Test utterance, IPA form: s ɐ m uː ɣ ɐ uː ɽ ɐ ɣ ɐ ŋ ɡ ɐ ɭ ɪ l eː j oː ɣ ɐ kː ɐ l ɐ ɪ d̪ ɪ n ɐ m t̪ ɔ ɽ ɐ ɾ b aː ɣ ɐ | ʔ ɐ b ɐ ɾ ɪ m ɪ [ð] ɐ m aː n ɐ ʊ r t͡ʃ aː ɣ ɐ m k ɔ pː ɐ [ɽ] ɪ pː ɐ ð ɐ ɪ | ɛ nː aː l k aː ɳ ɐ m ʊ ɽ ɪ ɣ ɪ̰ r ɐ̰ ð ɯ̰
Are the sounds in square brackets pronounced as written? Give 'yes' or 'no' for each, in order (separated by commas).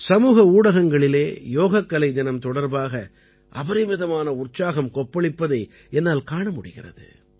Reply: yes, no